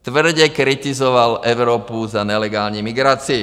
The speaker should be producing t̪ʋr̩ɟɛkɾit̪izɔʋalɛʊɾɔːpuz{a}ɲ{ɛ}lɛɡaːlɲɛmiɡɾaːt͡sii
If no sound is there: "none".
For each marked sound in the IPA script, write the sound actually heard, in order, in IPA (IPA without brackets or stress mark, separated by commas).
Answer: a, ɛ